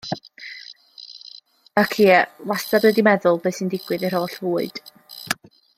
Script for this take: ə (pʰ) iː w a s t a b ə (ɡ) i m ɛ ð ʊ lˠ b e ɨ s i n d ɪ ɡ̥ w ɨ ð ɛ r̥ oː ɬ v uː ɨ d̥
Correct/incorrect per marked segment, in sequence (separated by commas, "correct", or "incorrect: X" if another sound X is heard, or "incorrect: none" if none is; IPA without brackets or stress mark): incorrect: kʰ, incorrect: d